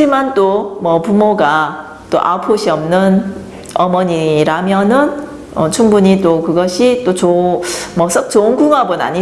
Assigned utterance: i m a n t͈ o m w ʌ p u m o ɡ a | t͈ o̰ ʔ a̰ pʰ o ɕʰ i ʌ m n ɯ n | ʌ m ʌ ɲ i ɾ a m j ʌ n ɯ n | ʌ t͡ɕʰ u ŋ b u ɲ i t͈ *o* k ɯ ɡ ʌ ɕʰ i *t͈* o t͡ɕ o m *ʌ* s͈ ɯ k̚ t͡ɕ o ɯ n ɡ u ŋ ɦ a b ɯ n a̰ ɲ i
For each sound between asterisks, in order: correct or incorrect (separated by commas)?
correct, correct, correct